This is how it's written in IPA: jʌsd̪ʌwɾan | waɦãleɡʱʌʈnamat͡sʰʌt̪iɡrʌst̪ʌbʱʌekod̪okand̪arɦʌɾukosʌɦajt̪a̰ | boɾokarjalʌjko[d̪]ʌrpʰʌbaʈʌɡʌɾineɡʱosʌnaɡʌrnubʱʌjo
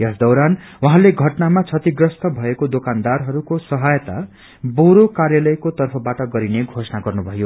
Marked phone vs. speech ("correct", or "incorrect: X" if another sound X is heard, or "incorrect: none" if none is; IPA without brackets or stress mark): incorrect: t̪